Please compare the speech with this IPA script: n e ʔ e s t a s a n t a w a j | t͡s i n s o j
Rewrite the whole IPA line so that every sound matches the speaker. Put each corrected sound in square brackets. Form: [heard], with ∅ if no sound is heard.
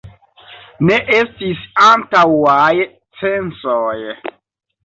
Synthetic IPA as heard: n e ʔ e s t [i] s a n t a w a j | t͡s [e] n s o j